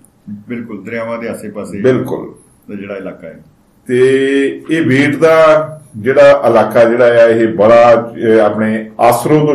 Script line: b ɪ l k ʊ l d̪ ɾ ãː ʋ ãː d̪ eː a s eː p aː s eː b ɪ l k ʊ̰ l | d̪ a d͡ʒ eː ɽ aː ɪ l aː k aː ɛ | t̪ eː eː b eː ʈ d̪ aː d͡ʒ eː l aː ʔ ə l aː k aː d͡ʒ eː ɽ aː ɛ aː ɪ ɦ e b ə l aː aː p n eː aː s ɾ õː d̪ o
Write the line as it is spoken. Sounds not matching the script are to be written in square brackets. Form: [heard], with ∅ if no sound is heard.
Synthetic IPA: b ɪ l k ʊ l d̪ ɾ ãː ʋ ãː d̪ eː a s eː p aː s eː b ɪ l k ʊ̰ l | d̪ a d͡ʒ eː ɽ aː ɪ l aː k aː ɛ | t̪ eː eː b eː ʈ d̪ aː d͡ʒ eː [ɽ] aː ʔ ə l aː k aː d͡ʒ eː ɽ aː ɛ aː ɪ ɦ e b ə [ɽ] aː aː p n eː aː s ɾ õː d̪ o